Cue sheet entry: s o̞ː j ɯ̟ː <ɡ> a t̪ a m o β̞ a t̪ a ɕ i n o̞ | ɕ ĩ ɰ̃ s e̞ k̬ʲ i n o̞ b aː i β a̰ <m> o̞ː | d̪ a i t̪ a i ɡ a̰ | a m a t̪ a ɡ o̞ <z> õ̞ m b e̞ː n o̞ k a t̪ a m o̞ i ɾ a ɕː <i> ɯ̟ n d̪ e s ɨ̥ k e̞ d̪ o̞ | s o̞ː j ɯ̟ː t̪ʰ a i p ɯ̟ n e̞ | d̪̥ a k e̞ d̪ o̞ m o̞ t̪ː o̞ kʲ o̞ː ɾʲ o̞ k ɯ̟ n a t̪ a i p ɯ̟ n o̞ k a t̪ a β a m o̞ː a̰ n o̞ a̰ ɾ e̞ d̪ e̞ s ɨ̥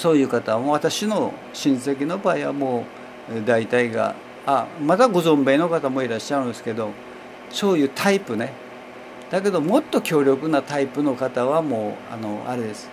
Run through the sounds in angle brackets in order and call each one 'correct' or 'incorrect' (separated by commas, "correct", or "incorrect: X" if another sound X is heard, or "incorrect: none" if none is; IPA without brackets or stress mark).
incorrect: k, correct, correct, incorrect: a